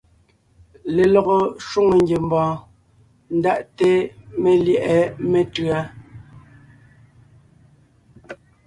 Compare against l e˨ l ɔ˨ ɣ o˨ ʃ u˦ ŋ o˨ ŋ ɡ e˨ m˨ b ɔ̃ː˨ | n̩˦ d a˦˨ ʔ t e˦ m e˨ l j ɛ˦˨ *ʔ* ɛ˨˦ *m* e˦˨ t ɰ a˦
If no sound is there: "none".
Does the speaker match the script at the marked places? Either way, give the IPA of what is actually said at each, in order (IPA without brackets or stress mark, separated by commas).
ʔ, m